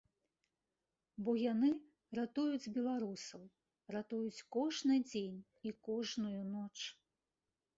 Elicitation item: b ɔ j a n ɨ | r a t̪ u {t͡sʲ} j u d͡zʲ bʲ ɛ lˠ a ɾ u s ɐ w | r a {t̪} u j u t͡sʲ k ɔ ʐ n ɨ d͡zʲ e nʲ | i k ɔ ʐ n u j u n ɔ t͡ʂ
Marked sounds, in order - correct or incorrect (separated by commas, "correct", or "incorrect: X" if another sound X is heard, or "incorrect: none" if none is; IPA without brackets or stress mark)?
incorrect: none, correct